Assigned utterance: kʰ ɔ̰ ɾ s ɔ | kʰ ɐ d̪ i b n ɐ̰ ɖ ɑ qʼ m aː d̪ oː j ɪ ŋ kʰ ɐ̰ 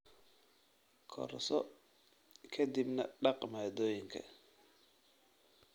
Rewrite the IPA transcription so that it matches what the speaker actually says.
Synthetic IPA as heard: kʰ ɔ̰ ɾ s ɔ | kʰ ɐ d̪ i b n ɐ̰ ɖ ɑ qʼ m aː d̪ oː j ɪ ŋ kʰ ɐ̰